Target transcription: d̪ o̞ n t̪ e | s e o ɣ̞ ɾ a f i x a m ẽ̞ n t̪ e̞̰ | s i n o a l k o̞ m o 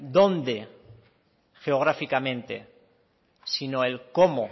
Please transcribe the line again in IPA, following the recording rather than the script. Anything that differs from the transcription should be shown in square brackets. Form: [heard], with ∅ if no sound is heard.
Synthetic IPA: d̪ o̞ n [d̪] e | [x] e o ɣ̞ ɾ a f i [k] a m ẽ̞ n t̪ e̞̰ | s i n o [e] l k o̞ m o

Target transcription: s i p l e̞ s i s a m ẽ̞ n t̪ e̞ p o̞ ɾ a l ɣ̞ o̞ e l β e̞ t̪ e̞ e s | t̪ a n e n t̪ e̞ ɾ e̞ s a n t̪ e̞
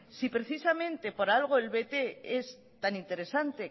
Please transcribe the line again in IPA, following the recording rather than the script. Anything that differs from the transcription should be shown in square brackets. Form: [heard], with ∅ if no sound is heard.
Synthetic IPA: s i p [ɾ] e̞ [θ] i s a m ẽ̞ n t̪ e̞ p o̞ ɾ a l ɣ̞ o̞ e l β e̞ t̪ e̞ e s | t̪ a n [i] n t̪ e̞ ɾ e̞ s a n t̪ e̞

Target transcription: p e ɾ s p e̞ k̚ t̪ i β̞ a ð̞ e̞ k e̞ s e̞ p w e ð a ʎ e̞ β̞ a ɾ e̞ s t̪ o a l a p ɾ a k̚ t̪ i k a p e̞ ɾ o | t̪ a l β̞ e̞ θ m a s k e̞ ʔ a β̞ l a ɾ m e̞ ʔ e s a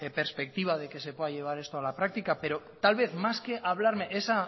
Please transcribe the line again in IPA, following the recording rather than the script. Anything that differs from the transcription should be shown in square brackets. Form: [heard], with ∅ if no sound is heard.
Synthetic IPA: p e ɾ s p e̞ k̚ t̪ i β̞ a ð̞ e̞ k e̞ s e̞ p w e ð a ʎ e̞ β̞ a ɾ e̞ s t̪ o a l a p ɾ a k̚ t̪ i k a p e̞ ɾ o | t̪ a l β̞ e̞ θ m a s k e̞ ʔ a β̞ l a ɾ m e̞ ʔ e s a

